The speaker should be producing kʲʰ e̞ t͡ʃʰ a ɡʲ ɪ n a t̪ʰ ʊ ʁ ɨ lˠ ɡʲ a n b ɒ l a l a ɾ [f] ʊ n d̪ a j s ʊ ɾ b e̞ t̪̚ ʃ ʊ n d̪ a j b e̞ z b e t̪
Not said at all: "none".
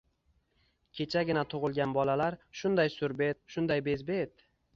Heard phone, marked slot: ʃ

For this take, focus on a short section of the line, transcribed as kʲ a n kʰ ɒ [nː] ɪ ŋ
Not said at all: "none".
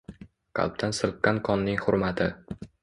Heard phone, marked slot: nː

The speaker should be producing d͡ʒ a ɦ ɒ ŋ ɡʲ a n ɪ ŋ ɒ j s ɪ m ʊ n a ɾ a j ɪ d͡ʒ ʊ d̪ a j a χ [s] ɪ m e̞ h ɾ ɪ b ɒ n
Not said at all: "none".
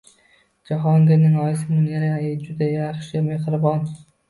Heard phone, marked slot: ʃ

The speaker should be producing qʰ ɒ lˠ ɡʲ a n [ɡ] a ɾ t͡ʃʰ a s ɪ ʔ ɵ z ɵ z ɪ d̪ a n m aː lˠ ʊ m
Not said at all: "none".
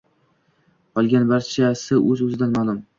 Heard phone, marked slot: b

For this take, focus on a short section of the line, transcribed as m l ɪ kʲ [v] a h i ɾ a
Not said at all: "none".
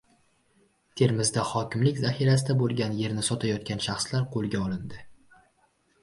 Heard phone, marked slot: z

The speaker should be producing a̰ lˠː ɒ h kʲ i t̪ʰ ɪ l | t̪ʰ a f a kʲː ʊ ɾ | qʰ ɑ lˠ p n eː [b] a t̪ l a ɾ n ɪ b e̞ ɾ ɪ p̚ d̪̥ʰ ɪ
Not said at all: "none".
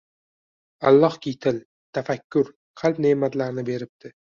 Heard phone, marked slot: m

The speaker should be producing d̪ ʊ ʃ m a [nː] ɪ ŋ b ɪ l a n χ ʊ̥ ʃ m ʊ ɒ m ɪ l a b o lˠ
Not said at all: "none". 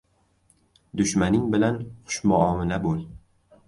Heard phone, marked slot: n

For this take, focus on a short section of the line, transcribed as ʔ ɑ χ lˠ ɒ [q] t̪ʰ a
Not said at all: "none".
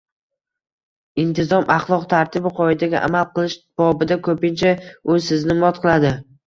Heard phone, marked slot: q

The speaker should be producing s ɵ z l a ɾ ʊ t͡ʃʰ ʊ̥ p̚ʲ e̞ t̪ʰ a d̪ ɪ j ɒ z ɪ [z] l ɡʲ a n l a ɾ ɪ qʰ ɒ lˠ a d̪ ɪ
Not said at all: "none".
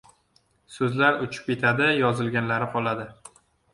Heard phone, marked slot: none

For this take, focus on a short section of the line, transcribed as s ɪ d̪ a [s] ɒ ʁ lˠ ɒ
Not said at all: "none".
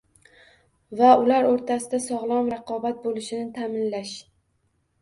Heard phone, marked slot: s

